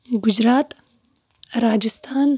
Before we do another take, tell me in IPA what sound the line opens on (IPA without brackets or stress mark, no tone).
ɡ